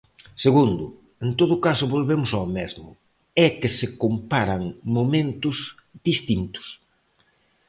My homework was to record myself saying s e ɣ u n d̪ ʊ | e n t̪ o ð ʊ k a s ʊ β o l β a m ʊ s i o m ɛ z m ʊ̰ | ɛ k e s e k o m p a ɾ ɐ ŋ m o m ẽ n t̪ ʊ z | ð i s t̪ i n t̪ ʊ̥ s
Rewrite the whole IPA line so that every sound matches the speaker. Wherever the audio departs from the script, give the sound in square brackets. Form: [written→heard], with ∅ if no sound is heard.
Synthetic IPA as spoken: s e ɣ u n d̪ ʊ | e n t̪ o ð ʊ k a s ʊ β o l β [a→e] m ʊ s [i→a] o m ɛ z m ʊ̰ | ɛ k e s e k o m p a ɾ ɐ ŋ m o m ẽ n t̪ ʊ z | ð i s t̪ i n t̪ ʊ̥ s